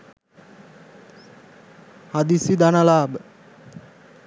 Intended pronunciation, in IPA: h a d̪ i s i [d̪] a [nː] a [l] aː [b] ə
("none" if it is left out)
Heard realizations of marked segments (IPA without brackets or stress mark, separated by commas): d̪, n, l, b